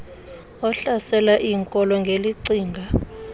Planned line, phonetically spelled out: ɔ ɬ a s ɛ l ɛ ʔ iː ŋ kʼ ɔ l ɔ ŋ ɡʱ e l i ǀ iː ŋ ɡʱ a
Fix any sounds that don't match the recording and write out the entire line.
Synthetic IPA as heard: ɔ ɬ a s ɛ l a ʔ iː ŋ kʼ ɔ l ɔ ŋ ɡʱ e l i ǀ iː ŋ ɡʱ a

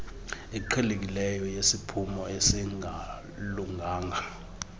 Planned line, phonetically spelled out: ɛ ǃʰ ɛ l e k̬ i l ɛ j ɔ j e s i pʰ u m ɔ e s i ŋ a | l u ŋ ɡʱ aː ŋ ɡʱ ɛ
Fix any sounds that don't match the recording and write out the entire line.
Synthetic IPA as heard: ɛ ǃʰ ɛ l e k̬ i l ɛ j ɔ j e s i pʰ u m ɔ e s i ŋ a | l u ŋ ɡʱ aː ŋ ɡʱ a

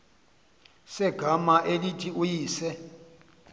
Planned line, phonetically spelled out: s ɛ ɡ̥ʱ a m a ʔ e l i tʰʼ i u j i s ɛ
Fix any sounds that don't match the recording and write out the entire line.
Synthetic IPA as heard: s ɛ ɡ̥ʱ a m a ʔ e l i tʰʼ i u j iː s ɛ

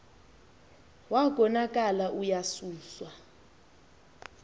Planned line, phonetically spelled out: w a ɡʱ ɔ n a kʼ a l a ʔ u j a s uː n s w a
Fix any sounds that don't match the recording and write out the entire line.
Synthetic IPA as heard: w a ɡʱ ɔ n a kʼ a l a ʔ u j a s uː s w a

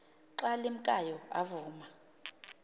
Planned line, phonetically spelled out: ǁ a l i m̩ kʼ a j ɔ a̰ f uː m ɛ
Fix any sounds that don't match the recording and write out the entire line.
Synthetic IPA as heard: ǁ a l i m̩ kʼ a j ɔ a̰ v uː m a

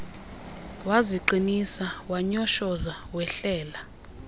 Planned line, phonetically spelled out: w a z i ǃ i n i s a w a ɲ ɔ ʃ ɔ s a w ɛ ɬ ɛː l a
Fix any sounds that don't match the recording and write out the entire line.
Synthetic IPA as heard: w a z i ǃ i n i s a w a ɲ ɔ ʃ ɔ z a w ɛ ɬ ɛː l a

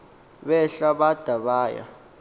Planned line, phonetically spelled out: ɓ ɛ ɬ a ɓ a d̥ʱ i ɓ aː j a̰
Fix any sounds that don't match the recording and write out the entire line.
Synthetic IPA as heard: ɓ ɛ ɬ a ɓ a d̥ʱ a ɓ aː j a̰

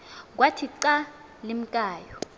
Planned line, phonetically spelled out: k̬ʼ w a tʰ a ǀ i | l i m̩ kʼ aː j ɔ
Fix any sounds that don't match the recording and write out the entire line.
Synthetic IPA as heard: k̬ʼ w a tʰ i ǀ a | l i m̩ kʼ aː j ɔ

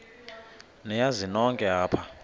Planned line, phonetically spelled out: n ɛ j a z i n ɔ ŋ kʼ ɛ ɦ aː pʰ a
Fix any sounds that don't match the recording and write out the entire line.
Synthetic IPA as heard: n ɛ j a z i n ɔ ŋ kʼ ɛ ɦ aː pʰ a

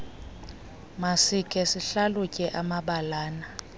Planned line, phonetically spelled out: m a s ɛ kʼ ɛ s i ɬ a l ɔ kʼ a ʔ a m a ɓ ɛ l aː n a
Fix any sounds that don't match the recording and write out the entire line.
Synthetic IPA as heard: m a s i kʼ ɛ s i ɬ a l u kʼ ɛ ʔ a m a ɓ a l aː n a

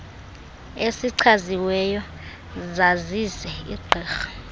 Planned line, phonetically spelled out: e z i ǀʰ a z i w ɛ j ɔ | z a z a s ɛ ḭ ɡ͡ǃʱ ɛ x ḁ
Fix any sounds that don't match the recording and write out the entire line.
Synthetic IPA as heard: e s i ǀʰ a z i w ɛ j ɔ | z a z i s ɛ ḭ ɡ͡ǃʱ ɛː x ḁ

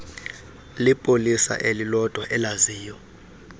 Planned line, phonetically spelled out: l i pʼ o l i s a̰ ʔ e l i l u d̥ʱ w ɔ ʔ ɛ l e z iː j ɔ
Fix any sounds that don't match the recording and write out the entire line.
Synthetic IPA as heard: l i pʼ o l i s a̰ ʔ e l i l ɔ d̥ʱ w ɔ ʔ ɛ l a z iː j ɔ

